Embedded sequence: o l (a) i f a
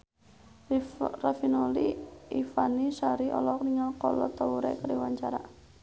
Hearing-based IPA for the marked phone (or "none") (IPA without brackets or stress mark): i